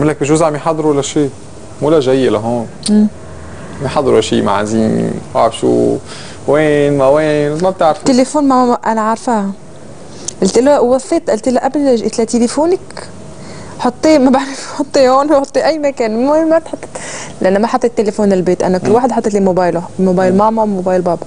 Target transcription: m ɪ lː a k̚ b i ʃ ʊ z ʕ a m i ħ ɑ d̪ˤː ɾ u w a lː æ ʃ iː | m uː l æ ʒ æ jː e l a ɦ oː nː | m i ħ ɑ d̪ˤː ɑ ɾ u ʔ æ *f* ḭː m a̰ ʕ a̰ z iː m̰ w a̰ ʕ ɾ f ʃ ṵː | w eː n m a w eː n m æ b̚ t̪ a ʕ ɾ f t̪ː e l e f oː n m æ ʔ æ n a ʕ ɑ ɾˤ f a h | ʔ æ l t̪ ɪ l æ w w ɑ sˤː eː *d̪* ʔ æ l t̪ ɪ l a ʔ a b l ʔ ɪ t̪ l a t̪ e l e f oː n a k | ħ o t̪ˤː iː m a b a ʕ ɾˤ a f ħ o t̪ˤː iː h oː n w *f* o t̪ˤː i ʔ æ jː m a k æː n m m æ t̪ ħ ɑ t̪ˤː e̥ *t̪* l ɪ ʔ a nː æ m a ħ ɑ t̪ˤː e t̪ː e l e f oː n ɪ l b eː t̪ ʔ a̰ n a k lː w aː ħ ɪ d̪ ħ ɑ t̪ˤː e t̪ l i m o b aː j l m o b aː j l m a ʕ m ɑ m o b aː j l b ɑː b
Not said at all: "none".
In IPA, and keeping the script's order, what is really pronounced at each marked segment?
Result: ʃ, t̪, ħ, t̪

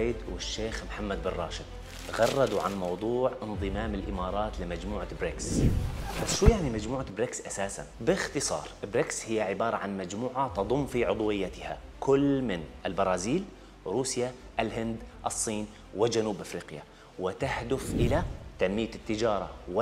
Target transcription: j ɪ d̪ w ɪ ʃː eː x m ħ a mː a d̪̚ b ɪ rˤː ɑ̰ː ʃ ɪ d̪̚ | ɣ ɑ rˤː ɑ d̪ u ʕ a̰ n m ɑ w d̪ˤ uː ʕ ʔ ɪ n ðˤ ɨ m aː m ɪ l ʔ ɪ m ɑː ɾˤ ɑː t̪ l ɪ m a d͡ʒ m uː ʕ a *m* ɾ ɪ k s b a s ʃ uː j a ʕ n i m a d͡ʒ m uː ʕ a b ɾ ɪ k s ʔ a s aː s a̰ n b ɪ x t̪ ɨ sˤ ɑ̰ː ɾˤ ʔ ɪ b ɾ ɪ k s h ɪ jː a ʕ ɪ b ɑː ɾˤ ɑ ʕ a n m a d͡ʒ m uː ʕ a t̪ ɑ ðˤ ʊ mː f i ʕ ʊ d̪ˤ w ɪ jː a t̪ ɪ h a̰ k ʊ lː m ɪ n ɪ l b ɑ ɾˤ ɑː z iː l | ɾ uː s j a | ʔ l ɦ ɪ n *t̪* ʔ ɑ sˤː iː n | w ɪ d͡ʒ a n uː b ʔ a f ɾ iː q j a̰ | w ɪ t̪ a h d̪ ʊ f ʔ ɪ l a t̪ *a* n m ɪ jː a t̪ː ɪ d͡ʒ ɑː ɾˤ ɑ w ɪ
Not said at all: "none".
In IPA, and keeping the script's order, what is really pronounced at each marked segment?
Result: b, d̪, a

